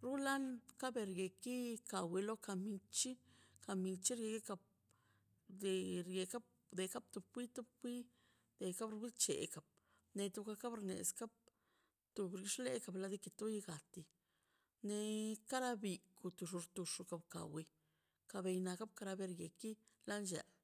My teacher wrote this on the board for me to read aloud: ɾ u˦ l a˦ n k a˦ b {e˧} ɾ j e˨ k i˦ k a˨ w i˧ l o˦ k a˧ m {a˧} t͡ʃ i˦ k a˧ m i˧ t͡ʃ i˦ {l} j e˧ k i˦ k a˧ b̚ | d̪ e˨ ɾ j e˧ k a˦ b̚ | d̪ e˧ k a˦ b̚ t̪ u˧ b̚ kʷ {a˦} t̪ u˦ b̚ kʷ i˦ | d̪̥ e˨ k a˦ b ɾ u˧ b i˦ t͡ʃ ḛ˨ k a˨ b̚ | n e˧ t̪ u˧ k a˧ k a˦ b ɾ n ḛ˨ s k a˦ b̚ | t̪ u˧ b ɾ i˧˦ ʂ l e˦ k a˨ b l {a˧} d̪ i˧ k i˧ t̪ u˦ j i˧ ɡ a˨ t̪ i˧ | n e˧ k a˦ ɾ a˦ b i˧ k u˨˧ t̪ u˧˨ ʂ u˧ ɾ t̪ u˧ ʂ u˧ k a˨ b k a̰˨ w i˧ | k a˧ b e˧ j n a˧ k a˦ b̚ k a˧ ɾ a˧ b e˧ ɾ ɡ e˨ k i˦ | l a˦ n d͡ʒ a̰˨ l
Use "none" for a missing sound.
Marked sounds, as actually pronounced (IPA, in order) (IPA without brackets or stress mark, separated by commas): e˧, i˧, ɾ, i˦, a˧